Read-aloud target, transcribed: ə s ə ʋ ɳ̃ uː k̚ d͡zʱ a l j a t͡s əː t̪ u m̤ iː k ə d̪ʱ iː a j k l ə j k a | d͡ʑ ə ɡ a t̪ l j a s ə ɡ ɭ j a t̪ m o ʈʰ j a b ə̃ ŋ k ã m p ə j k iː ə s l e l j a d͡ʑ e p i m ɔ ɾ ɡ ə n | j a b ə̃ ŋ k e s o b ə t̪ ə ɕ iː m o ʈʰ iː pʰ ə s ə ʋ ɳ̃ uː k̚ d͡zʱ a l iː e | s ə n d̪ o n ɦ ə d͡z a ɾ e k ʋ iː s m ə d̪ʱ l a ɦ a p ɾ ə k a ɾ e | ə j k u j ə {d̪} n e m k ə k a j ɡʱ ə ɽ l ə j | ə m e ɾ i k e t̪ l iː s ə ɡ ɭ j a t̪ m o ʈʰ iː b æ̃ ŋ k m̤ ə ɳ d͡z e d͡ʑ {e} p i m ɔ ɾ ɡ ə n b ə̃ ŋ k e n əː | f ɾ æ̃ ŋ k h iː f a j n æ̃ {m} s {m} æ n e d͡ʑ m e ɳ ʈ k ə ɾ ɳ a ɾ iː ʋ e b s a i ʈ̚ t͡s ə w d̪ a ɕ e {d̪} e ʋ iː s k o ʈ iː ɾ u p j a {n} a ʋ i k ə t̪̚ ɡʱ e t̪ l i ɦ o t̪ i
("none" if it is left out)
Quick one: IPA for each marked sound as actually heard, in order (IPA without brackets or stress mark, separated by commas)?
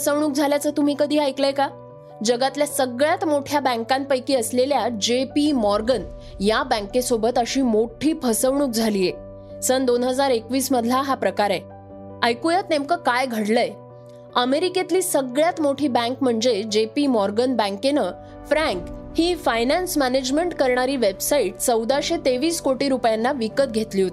t̪, e, n, m, t̪, nː